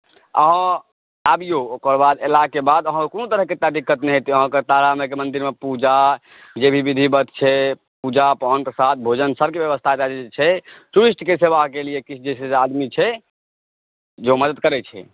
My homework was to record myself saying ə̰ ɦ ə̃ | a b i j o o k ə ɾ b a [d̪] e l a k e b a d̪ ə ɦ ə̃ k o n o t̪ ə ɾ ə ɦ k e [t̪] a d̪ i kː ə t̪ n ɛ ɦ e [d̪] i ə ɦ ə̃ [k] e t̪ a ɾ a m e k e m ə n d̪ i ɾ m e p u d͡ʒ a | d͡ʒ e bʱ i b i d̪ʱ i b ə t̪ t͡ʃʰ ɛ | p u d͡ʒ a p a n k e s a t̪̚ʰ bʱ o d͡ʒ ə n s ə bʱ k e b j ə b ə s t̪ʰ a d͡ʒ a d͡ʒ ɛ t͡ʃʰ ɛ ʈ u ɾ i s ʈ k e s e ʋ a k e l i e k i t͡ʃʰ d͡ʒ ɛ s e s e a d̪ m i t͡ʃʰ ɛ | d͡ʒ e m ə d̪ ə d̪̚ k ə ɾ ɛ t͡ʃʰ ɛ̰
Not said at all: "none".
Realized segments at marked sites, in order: d̪, t̪, t̪, k

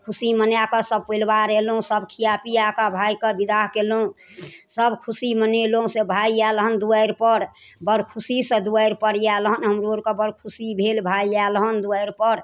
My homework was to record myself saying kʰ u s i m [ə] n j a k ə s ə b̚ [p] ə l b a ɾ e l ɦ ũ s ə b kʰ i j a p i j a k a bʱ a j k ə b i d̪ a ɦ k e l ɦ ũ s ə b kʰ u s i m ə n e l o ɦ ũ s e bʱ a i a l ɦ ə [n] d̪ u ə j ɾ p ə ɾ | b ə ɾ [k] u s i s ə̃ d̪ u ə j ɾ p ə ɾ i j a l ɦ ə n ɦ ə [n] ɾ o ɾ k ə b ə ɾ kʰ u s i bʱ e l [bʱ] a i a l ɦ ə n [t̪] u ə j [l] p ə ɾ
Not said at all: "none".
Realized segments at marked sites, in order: ə, p, n, kʰ, m, bʱ, d̪, ɾ

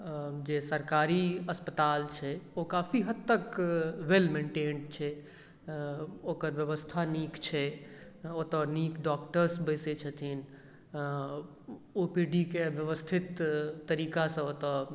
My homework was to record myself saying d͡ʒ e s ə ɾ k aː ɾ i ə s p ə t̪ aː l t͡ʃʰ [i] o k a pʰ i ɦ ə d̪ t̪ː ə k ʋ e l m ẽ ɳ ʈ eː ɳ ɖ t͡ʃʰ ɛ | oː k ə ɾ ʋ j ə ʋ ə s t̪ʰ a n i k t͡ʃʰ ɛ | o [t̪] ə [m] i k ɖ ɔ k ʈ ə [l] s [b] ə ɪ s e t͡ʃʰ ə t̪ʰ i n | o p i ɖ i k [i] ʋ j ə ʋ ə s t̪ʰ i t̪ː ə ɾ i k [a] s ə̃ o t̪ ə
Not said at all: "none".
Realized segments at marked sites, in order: ɛ, t̪, n, ɾ, b, e, a

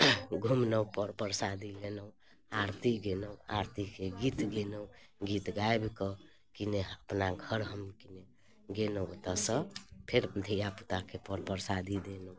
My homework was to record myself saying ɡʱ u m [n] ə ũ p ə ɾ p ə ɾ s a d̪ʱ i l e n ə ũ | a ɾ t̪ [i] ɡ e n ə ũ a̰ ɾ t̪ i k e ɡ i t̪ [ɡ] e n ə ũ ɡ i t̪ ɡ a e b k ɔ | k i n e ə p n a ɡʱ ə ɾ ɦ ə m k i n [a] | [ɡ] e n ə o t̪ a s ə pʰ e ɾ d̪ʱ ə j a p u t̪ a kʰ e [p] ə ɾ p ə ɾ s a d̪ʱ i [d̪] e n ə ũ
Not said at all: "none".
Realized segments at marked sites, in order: n, i, ɡ, e, ɡ, p, d̪

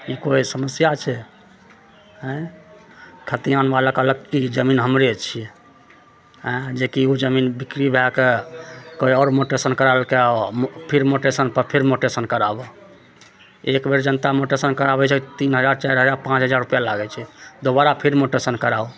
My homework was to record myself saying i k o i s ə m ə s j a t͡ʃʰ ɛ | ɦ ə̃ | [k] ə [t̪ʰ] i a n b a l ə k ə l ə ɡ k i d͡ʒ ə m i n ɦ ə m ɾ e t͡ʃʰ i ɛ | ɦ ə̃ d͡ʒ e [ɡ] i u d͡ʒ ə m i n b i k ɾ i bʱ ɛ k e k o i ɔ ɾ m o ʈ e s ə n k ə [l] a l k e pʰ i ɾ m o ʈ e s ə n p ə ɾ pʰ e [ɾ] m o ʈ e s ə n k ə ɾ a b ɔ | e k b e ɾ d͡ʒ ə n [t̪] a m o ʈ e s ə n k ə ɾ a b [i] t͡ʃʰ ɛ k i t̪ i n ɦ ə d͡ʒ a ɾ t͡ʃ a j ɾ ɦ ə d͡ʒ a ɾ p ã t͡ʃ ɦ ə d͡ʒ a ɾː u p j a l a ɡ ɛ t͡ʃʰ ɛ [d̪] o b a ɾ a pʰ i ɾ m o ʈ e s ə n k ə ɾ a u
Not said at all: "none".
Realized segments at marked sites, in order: kʰ, t̪, k, ɾ, ɾ, t̪, ɛ, d̪

